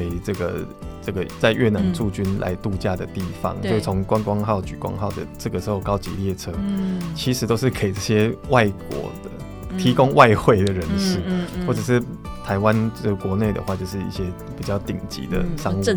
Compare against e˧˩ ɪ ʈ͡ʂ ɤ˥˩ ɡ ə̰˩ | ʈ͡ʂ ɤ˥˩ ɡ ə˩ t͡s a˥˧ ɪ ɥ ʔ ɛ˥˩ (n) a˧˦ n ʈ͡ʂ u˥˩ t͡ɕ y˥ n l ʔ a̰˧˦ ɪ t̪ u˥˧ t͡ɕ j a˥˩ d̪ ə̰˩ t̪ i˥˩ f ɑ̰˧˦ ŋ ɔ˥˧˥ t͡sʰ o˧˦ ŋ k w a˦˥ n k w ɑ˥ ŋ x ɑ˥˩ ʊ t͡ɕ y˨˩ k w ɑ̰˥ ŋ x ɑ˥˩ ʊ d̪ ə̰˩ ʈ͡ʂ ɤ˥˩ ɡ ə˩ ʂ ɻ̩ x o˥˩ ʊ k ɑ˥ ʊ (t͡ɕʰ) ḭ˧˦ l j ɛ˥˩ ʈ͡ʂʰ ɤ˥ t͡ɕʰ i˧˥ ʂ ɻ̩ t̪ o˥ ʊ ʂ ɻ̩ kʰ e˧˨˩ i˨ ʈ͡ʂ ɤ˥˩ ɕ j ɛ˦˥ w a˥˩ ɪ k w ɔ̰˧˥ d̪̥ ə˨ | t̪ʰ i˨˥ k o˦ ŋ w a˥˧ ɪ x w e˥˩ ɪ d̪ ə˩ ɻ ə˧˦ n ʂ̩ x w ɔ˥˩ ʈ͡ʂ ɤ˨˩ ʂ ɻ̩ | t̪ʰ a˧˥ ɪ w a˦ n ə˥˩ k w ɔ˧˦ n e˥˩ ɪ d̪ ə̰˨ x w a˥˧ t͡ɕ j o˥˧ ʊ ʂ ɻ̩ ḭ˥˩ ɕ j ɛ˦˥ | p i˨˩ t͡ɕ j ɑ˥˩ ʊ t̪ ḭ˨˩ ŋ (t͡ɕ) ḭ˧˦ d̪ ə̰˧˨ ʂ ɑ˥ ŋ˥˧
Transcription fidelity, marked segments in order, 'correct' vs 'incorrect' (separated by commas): correct, incorrect, correct